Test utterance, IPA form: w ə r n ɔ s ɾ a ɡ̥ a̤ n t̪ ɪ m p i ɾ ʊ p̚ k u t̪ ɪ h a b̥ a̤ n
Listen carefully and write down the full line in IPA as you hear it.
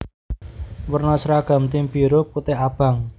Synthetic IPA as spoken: w ə r n ɔ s ɾ a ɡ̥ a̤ m t̪ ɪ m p i ɾ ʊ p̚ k u t̪ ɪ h a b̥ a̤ ŋ